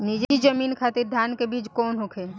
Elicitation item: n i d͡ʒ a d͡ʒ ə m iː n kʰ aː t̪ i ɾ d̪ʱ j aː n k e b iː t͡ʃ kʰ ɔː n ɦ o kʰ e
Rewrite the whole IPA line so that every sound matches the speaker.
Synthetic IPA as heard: n i d͡ʒ i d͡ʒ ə m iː n kʰ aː t̪ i ɾ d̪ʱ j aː n k e b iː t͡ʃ k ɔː n ɦ o kʰ e